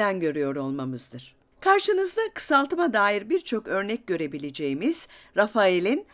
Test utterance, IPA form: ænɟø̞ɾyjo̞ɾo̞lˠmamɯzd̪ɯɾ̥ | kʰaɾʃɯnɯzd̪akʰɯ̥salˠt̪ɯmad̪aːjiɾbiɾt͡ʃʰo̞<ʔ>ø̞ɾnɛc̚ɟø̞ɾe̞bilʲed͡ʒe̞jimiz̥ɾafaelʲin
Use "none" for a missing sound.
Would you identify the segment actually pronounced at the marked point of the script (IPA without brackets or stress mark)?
k